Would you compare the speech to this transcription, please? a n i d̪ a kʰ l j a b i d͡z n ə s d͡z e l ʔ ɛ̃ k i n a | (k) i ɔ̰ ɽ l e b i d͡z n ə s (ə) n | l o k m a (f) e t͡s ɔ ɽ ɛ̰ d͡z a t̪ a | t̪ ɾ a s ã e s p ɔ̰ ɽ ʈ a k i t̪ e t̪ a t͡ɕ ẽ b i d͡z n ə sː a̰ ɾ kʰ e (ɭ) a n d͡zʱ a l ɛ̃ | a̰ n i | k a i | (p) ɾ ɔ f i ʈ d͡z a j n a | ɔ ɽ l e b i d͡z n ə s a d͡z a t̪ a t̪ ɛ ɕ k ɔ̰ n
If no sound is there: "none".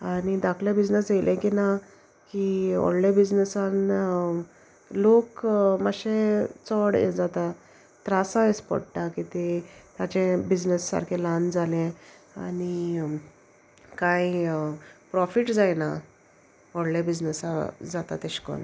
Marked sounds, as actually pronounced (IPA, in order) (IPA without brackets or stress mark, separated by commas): k, a, ɕ, l, p